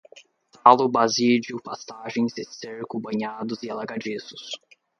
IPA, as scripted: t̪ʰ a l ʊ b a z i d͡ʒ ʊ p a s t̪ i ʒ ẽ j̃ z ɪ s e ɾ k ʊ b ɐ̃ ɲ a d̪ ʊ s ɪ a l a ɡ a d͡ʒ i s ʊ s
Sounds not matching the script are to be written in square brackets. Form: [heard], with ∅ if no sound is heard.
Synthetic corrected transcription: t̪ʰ a l ʊ b a z i d͡ʒ ʊ p a s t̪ [a] ʒ ẽ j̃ z ɪ s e ɾ k ʊ b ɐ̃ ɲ a d̪ ʊ [z] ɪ a l a ɡ a d͡ʒ i s ʊ s